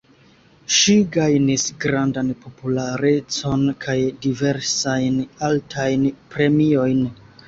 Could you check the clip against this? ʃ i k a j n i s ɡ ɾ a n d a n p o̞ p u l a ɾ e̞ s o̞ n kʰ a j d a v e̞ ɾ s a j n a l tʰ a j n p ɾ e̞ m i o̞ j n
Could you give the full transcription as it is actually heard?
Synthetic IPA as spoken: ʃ i ɡ a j n i s ɡ ɾ a n d a n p o̞ p u l a ɾ e̞ t͡s o̞ n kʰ a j d i v e̞ ɾ s a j n a l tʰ a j n p ɾ e̞ m i o̞ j n